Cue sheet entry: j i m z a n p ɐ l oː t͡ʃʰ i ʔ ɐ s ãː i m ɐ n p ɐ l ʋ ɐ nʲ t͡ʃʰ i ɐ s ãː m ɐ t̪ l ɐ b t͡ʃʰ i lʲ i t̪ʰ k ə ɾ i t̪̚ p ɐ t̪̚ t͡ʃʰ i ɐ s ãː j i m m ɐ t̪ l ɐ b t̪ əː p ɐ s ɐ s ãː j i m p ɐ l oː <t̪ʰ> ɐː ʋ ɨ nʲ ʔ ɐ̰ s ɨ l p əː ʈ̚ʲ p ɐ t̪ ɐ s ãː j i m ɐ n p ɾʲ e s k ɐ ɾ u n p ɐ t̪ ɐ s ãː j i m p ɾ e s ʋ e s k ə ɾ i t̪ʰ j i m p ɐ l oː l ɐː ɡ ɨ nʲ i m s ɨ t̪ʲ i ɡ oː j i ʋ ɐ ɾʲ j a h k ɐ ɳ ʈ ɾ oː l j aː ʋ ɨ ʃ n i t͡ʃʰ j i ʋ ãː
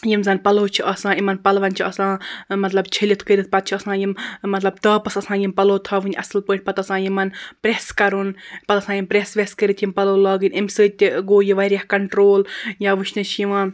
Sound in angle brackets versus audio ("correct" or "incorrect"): correct